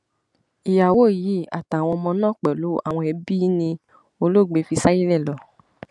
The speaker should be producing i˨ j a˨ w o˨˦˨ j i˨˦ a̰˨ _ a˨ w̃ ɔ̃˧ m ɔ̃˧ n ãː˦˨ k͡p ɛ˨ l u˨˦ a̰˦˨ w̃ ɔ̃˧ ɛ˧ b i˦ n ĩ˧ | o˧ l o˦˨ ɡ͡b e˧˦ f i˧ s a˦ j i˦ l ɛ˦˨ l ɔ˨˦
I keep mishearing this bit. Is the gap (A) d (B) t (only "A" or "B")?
B